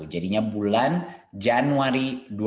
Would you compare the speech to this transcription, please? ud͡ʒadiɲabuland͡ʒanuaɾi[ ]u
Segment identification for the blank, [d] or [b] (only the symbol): d